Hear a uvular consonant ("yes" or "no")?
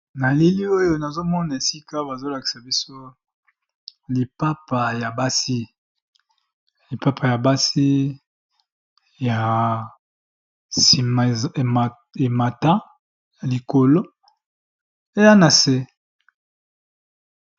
no